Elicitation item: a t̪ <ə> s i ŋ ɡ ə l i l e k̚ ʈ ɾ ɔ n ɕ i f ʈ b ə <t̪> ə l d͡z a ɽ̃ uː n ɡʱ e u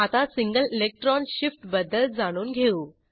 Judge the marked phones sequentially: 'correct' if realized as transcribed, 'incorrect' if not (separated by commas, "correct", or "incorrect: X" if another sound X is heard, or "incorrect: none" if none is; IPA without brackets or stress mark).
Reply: incorrect: a, incorrect: d̪